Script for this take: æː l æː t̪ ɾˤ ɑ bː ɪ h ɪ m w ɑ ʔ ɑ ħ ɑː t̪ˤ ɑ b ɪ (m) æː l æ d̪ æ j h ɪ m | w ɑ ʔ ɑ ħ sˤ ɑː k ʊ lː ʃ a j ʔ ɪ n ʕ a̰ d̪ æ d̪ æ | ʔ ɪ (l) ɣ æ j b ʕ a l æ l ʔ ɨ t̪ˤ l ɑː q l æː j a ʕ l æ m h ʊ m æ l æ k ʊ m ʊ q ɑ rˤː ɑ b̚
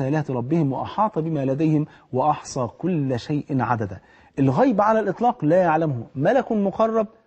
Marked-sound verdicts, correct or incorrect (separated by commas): correct, correct